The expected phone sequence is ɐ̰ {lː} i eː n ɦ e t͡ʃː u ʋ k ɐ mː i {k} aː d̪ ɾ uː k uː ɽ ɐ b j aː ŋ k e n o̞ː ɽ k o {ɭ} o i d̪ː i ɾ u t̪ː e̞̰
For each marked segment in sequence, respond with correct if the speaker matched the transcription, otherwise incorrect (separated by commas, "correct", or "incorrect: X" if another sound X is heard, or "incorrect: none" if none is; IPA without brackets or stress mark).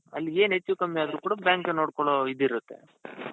correct, incorrect: none, correct